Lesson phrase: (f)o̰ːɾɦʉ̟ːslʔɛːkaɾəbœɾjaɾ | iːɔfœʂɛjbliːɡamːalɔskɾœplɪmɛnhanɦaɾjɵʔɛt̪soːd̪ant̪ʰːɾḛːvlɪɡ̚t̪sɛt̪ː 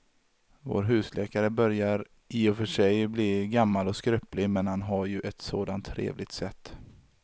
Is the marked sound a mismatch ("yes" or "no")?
yes